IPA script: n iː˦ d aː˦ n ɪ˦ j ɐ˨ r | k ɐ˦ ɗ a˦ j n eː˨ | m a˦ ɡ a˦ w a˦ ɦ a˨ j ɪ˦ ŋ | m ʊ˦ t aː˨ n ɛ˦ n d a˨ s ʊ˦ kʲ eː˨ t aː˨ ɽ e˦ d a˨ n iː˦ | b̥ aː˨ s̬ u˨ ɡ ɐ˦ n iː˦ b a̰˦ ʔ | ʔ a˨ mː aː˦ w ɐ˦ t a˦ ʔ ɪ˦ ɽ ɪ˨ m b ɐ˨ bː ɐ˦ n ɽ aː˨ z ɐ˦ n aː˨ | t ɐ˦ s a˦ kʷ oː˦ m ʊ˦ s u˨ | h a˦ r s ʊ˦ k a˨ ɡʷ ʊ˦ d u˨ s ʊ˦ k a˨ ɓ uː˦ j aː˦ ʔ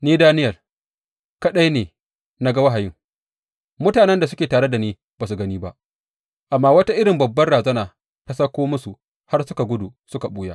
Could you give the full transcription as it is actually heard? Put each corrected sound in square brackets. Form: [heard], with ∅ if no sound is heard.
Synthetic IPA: n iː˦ d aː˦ n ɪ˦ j ɐ˨ r | k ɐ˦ ɗ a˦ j n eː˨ | [n] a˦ ɡ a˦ w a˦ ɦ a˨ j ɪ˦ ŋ | m ʊ˦ t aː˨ n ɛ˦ n d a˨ s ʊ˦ kʲ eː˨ t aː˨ ɽ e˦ d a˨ n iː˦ | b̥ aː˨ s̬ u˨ ɡ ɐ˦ n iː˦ b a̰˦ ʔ | ʔ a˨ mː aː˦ w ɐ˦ t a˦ ʔ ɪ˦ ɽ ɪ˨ m b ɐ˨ bː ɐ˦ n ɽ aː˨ z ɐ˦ n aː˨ | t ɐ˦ s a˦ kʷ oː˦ m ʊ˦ s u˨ | h a˦ r s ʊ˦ k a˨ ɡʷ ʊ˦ d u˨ s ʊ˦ k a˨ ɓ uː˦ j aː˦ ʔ